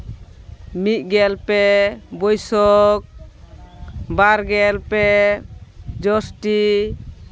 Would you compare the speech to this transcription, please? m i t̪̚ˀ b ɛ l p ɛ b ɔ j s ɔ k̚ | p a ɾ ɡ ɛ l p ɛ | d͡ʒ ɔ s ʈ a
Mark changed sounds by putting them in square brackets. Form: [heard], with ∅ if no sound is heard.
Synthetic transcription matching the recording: m i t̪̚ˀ [ɡ] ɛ l p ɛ b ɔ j s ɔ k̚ | [b] a ɾ ɡ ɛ l p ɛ | d͡ʒ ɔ s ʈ [i]